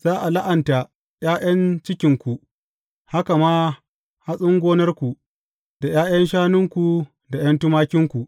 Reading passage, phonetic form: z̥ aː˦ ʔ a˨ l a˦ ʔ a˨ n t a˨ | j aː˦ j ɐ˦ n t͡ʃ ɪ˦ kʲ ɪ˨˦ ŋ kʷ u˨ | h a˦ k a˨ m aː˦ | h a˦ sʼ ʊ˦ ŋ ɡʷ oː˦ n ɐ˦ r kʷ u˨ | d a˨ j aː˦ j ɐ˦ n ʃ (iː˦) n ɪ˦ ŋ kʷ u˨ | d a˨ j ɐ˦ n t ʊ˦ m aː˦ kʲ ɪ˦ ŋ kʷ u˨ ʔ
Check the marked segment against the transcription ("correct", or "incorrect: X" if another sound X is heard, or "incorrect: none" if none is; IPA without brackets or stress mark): incorrect: aː˦